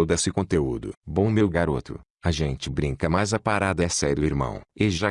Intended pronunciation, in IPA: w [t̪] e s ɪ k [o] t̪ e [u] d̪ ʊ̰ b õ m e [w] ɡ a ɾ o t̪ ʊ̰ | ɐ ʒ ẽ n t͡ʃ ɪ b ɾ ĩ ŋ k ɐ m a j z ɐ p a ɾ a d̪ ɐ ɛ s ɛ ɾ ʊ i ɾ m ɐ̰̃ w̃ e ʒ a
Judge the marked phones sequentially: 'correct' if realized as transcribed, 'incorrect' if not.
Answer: incorrect, incorrect, correct, correct

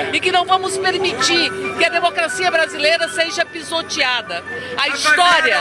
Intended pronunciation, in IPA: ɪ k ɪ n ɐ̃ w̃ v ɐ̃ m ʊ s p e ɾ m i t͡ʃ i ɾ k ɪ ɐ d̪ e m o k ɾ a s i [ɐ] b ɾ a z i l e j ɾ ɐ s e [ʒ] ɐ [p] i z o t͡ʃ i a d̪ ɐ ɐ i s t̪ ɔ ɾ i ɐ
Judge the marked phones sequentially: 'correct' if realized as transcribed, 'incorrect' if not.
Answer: correct, correct, correct

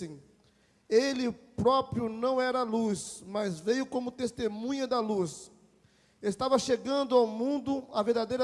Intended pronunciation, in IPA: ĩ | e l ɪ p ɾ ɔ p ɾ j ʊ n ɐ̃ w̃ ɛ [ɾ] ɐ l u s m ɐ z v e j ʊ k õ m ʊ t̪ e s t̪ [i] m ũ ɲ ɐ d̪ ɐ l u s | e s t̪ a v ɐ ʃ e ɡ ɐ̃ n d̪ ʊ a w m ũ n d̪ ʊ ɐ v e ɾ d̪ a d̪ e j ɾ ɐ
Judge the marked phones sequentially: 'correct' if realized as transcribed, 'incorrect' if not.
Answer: correct, incorrect

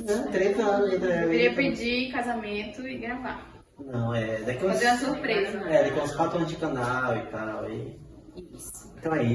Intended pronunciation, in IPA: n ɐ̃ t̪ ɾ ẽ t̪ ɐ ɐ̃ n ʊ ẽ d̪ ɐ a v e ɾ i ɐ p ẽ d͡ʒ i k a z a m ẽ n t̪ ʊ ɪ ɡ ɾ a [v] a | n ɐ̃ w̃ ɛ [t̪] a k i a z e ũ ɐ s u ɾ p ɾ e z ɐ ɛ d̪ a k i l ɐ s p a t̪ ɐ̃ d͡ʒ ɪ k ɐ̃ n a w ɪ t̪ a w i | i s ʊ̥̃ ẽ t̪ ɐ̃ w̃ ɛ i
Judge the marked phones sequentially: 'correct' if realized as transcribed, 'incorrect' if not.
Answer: correct, incorrect

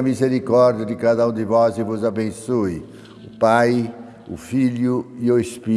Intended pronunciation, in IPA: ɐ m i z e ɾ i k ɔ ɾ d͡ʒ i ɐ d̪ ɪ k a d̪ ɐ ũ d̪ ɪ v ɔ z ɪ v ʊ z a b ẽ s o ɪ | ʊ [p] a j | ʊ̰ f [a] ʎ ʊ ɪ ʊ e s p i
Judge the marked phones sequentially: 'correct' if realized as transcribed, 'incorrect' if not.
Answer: correct, incorrect

